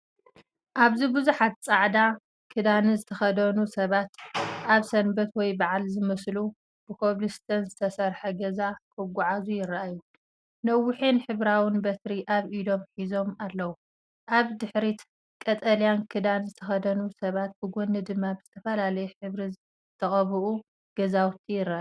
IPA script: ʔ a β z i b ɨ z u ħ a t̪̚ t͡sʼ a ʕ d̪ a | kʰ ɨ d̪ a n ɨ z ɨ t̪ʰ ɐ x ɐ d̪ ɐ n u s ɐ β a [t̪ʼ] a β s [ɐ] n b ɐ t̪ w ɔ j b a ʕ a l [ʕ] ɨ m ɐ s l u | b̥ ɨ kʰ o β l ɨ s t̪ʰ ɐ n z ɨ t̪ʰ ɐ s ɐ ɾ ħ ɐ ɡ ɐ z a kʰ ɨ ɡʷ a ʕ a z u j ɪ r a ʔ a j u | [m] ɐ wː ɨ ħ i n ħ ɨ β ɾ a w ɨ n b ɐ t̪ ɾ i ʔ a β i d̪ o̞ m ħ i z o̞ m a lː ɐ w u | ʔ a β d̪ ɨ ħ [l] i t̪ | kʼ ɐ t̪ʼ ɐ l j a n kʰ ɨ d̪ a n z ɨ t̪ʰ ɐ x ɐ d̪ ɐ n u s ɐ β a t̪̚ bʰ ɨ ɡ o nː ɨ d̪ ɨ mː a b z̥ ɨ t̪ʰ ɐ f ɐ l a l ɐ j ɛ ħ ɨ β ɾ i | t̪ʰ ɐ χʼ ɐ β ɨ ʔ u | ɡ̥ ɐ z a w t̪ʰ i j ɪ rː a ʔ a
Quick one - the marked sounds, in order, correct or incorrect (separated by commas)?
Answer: incorrect, correct, incorrect, incorrect, incorrect